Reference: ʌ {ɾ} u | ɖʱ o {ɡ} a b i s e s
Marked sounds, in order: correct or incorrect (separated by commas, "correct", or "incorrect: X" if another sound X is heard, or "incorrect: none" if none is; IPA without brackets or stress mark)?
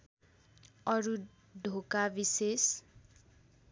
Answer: correct, incorrect: k